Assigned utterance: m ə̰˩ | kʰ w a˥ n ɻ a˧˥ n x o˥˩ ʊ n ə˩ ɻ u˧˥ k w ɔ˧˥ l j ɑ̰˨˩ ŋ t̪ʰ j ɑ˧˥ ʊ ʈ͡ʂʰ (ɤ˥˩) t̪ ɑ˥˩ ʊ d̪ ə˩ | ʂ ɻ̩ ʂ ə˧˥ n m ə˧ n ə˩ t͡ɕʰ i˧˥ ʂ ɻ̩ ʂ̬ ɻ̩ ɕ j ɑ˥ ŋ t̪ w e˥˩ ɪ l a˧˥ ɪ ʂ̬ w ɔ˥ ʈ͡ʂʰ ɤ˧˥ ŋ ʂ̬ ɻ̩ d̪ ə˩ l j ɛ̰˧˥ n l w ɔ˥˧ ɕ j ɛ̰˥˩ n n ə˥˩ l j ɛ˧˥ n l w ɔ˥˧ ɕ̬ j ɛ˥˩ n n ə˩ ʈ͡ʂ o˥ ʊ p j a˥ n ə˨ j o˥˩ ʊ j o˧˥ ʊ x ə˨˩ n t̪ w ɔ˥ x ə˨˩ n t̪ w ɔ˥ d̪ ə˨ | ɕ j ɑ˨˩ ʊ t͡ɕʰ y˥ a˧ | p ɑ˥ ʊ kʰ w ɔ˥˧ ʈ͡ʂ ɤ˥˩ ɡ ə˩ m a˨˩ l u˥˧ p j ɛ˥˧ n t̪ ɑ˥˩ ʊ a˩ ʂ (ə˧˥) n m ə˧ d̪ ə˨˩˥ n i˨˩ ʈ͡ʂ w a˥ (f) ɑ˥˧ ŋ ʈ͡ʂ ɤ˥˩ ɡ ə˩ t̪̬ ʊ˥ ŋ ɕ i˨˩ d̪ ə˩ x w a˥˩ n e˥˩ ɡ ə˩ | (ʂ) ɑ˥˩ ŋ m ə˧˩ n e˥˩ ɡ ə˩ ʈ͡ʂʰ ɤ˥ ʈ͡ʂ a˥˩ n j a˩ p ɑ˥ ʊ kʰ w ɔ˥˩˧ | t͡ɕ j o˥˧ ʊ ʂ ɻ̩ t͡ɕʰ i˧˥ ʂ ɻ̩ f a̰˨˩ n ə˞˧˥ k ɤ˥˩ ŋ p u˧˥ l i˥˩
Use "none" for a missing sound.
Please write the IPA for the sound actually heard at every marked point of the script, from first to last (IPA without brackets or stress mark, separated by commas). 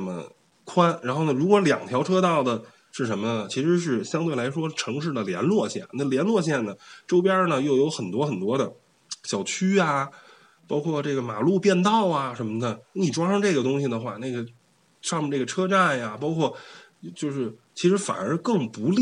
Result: ɤ˥, ə˧˥, ʂ, ʂ